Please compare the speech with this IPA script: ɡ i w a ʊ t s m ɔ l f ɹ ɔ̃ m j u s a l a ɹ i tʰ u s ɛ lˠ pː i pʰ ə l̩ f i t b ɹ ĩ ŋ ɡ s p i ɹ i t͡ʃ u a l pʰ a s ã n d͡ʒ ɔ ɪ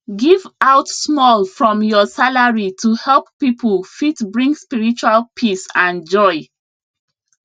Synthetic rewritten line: ɡ i v a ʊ t s m ɔ l f ɹ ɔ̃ m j ɔ s a l a ɹ i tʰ u h ɛ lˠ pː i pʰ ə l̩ f i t b ɹ ĩ ŋ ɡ s p i ɹ i t͡ʃ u a l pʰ i s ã n d͡ʒ ɔ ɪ